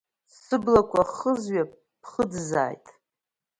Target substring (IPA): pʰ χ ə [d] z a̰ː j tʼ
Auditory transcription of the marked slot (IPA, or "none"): d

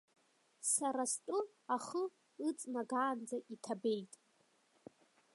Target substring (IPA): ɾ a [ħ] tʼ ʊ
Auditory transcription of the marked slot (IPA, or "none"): s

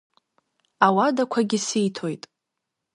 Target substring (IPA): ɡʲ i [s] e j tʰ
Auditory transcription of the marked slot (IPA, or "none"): s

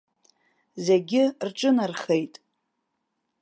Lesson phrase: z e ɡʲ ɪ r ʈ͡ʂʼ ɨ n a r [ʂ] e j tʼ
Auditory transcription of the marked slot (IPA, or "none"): χ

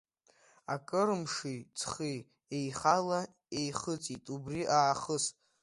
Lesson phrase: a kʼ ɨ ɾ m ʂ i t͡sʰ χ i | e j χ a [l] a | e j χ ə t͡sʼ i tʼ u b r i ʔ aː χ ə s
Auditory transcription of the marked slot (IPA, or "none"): l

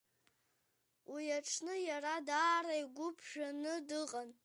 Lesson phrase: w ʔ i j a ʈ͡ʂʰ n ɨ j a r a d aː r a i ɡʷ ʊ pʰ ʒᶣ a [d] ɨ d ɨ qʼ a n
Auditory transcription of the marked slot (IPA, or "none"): n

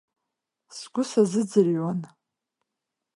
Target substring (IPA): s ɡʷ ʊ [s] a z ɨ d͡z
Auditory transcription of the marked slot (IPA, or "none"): s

